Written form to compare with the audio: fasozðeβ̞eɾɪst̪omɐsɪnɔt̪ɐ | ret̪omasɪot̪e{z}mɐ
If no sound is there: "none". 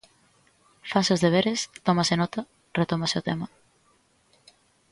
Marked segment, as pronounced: none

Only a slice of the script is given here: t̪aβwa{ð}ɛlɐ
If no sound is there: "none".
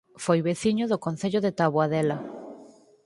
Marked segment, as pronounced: ð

